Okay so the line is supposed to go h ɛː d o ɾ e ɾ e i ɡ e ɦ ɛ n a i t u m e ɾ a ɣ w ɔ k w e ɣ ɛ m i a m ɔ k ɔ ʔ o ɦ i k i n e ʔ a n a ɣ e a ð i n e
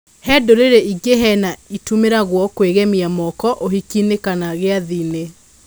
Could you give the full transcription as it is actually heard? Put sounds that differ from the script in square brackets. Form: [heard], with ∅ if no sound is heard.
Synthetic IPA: h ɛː d o ɾ e ɾ e i ɡ e ɦ ɛ n a i t u m e ɾ a ɣ w ɔ k w e ɣ ɛ m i a m ɔ k ɔ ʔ o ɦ i k i n e [k] a n a ɣ e a ð i n e

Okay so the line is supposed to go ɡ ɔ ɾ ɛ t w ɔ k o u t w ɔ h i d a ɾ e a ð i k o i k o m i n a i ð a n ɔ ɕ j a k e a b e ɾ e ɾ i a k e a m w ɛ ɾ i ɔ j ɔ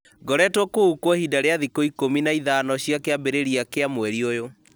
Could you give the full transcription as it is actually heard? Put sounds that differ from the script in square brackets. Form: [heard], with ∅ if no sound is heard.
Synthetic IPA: ɡ ɔ ɾ ɛ t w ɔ k o u [k] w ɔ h i d a ɾ e a ð i k o i k o m i n a i ð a n ɔ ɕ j a k e a b e ɾ e ɾ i a k e a m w ɛ ɾ i [o] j [o]

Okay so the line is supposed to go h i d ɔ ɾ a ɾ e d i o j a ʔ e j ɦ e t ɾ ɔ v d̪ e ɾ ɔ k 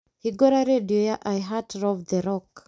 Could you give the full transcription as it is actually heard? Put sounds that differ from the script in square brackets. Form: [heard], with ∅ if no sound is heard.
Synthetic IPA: h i [ɡ] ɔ ɾ a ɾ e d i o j a ʔ [a] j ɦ [a] t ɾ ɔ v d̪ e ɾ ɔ k

